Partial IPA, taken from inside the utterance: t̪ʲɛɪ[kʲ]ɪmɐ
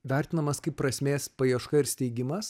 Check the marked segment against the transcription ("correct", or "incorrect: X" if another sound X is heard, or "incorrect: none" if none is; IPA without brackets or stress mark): incorrect: ɡʲ